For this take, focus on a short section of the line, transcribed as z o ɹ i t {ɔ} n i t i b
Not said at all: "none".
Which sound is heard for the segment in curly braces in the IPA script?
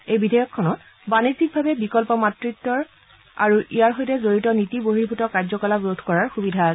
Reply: ɔ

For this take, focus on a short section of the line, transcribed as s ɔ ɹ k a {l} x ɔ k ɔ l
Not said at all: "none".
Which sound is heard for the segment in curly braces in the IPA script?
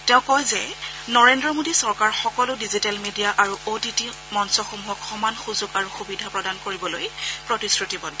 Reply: ɹ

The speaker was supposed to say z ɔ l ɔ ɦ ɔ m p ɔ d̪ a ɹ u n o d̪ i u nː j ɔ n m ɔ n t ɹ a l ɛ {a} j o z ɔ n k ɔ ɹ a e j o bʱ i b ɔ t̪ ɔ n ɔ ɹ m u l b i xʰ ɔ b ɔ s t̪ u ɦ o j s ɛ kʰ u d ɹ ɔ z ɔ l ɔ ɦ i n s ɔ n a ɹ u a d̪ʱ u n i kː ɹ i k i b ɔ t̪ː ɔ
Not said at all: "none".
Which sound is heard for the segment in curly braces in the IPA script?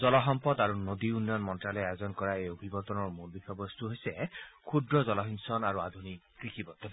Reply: a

